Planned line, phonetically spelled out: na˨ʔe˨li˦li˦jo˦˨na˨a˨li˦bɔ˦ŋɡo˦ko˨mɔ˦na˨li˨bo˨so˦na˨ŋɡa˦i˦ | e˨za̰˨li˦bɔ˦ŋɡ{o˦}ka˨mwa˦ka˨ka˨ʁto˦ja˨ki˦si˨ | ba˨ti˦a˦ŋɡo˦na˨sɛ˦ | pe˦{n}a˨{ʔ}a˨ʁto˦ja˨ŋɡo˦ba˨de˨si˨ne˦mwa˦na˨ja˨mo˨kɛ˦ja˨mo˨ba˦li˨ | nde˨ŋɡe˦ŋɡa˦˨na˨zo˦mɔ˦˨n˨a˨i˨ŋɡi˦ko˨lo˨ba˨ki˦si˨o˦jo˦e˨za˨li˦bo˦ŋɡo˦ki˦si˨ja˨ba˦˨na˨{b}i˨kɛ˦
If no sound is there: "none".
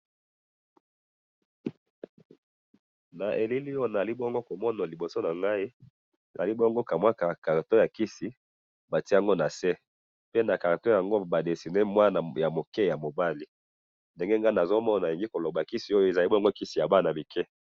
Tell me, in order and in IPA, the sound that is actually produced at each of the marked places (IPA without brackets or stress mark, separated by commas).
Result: o˦, n, k, m